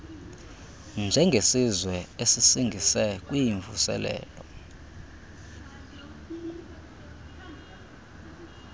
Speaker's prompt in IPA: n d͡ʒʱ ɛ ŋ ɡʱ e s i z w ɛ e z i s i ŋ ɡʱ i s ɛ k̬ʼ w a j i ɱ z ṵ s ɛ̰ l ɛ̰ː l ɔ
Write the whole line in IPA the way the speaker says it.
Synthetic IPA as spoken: n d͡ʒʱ ɛ ŋ ɡʱ e s i z w ɛ e s i s i ŋ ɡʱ i s ɛ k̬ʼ w i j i ɱ v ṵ s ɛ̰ l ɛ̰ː l ɔ